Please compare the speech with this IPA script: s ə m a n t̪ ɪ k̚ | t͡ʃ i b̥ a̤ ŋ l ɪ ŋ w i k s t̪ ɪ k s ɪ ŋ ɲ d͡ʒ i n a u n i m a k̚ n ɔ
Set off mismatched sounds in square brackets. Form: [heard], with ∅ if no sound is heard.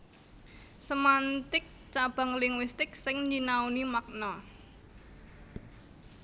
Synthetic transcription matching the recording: s ə m a n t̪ ɪ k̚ | t͡ʃ [a] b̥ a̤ ŋ l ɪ ŋ w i [∅] s t̪ ɪ k s ɪ ŋ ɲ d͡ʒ i n a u n i m a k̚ n ɔ